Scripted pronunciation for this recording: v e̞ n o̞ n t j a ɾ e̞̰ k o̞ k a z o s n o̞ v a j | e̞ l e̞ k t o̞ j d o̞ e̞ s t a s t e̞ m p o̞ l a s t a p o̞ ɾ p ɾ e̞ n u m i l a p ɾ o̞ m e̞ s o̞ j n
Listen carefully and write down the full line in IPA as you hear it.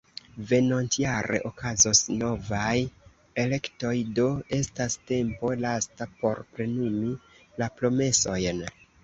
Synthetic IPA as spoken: v e̞ n o̞ n t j a ɾ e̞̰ ʔ o̞ k a z o s n o̞ v a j | e̞ l e̞ k t o̞ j d o̞ e̞ s t a s t e̞ m p o̞ l a s t a p o̞ ɾ p ɾ e̞ n u m i l a p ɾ o̞ m e̞ s o̞ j n

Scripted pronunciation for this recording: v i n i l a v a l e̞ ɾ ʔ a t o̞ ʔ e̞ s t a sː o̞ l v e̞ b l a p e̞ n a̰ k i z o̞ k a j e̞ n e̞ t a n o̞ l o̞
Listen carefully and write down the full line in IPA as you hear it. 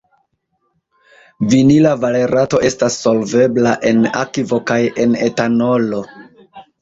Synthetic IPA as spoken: v i n i l a v a l e̞ ɾ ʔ a t o̞ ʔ e̞ s t a sː o̞ l v e̞ b l a ʔ e̞ n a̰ k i v o̞ k a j e̞ n e̞ t a n o̞ l o̞

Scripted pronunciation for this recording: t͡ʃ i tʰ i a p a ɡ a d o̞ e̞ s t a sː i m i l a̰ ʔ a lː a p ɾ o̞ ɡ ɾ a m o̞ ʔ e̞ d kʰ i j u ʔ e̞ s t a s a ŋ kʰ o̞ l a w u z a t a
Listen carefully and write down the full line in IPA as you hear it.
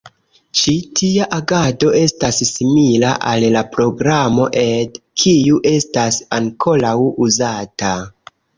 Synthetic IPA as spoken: t͡ʃ i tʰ i a ʔ a ɡ a d o̞ e̞ s t a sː i m i l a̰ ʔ a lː a p ɾ o̞ ɡ ɾ a m o̞ ʔ e̞ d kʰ i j u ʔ e̞ s t a s a ŋ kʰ o̞ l a w u z a t a

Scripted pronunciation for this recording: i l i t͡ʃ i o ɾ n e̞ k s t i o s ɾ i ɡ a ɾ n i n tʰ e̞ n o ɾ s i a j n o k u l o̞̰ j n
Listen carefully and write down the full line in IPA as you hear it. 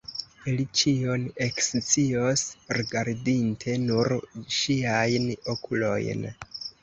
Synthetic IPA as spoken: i l i t͡ʃ i o n e̞ k s t͡s i o s ɾ i ɡ a ɾ d i n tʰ e̞ n u ɾ ʃ i a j n o k u l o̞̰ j n

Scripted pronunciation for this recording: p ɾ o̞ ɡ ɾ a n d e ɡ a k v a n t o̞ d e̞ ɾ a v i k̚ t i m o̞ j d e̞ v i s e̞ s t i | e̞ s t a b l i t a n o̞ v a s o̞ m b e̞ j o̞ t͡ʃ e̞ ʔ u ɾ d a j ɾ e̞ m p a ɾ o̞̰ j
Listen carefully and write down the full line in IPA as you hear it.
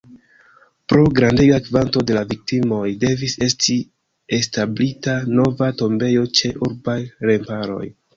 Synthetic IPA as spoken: p ɾ o̞ ɡ ɾ a n d e ɡ a k v a n t o̞ d e̞ l a v i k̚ t i m o̞ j d e̞ v i s e̞ s t i | e̞ s t a b l i t a n o̞ v a t o̞ m b e̞ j o̞ t͡ʃ e̞ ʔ u ɾ b a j ɾ e̞ m p a ɾ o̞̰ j

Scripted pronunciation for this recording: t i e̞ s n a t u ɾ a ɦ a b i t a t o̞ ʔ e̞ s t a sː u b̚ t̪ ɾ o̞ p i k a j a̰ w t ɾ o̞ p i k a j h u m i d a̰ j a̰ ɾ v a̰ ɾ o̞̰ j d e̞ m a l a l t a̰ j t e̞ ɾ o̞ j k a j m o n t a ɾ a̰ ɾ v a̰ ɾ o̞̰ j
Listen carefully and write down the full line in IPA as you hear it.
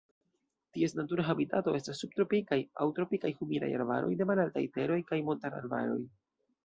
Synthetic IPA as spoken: t i e̞ s n a t u ɾ a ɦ a b i t a t o̞ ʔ e̞ s t a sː u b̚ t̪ ɾ o̞ p i k a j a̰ w t ɾ o̞ p i k a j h u m i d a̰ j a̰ ɾ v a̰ ɾ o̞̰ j d e̞ m a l a l t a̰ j t e̞ ɾ o̞ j k a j m o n t a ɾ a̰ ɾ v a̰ ɾ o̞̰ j

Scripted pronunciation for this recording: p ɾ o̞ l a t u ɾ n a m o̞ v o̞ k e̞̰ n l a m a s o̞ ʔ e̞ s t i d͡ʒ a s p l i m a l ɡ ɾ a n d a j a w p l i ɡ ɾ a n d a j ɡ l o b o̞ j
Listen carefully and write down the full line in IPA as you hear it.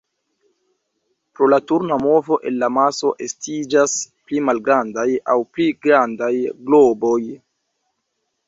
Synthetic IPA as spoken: p ɾ o̞ l a t u ɾ n a m o̞ v o̞ ʔ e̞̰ n l a m a s o̞ ʔ e̞ s t i d͡ʒ a s p l i m a l ɡ ɾ a n d a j a w p l i ɡ ɾ a n d a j ɡ l o b o̞ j

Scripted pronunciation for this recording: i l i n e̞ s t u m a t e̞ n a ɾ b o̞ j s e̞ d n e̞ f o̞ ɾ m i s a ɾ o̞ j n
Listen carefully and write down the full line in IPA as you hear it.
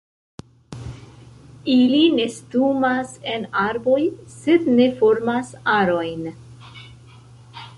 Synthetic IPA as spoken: i l i n e̞ s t u m a s e̞ n a ɾ b o̞ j s e̞ d n e̞ f o̞ ɾ m a s a ɾ o̞ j n

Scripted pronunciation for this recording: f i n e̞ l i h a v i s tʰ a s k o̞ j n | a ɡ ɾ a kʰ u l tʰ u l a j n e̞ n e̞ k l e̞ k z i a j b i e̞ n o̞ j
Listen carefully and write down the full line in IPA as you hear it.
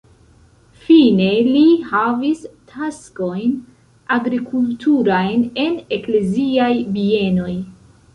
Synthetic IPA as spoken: f i n e̞ l i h a v i s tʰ a s k o̞ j n | a ɡ ɾ i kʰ u l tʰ u ɾ a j n e̞ n e̞ k l e̞ z i a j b i e̞ n o̞ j

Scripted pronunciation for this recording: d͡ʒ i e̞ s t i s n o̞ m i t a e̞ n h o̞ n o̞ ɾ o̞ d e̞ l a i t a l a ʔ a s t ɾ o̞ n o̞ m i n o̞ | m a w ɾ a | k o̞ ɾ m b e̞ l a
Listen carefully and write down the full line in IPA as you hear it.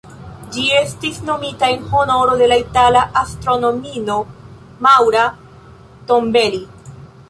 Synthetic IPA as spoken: d͡ʒ i e̞ s t i s n o̞ m i t a e̞ n h o̞ n o̞ ɾ o̞ d e̞ l a i t a l a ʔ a s t ɾ o̞ n o̞ m i n o̞ | m a w ɾ a | t o̞ m b e̞ l i

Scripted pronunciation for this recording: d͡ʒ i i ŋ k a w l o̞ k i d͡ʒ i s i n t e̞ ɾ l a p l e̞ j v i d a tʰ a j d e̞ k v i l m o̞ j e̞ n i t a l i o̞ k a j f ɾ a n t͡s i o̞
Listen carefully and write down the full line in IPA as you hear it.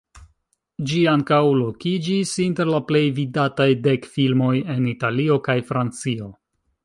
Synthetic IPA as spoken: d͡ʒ i a ŋ k a w l o̞ k i d͡ʒ i s i n t e̞ ɾ l a p l e̞ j v i d a t a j d e̞ k f i l m o̞ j e̞ n i t a l i o̞ k a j f ɾ a n t͡s i o̞

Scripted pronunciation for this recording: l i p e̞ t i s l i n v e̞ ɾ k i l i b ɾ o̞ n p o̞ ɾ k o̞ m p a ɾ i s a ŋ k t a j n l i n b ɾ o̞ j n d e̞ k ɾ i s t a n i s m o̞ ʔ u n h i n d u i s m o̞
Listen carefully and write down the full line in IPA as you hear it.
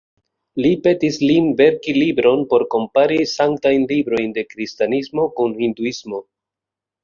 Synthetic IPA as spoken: l i p e̞ t i s l i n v e̞ ɾ k i l i b ɾ o̞ n p o̞ ɾ k o̞ m p a ɾ i s a ŋ k t a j n l i b ɾ o̞ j n d e̞ k ɾ i s t a n i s m o̞ k u n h i n d u i s m o̞

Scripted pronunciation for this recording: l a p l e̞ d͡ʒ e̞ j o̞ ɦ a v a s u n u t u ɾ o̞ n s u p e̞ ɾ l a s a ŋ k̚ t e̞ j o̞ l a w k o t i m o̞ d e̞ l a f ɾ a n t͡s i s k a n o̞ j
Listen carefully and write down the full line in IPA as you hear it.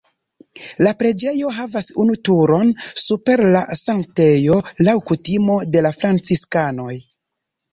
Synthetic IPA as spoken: l a p ɾ e̞ d͡ʒ e̞ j o̞ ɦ a v a s u n u t u ɾ o̞ n s u p e̞ ɾ l a s a ŋ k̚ t e̞ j o̞ l a w k u t i m o̞ d e̞ l a f ɾ a n t͡s i s k a n o̞ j

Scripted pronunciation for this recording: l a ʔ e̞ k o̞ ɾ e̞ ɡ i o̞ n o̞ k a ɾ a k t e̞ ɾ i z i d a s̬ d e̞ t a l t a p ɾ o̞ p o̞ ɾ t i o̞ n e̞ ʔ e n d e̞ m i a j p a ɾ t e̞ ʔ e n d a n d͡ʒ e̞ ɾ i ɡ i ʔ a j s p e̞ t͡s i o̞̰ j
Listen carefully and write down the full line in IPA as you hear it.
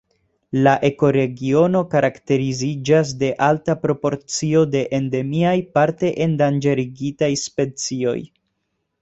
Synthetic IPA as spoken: l a ʔ e̞ k o̞ ɾ e̞ ɡ i o̞ n o̞ k a ɾ a k t e̞ ɾ i z i d͡ʒ a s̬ d e̞ ʔ a l t a p ɾ o̞ p o̞ ɾ t͡s i o̞ d e̞ ʔ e n d e̞ m i a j p a ɾ t e̞ ʔ e n d a n d͡ʒ e̞ ɾ i ɡ i t a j s p e̞ t͡s i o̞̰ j

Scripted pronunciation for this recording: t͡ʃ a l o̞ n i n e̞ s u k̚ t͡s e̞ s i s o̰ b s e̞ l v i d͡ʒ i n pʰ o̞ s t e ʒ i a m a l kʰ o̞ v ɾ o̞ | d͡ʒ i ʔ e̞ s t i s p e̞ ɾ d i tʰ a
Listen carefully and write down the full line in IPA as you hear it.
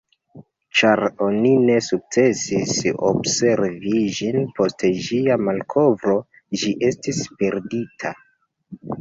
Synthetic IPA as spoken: t͡ʃ a ɾ o̞ n i n e̞ s u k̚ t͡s e̞ s i s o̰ b s e̞ ɾ v i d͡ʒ i n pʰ o̞ s t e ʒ i a m a l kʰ o̞ v ɾ o̞ | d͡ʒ i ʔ e̞ s t i s p e̞ ɾ d i tʰ a

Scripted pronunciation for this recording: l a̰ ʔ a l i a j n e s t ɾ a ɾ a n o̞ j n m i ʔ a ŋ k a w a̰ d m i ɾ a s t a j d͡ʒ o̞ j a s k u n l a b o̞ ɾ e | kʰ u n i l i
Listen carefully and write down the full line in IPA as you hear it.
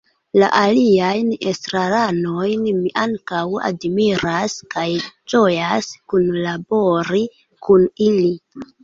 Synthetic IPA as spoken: l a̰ ʔ a l i a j n e s t ɾ a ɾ a n o̞ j n m i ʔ a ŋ k a w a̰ d m i ɾ a s k a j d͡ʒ o̞ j a s k u n l a b o̞ ɾ i | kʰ u n i l i

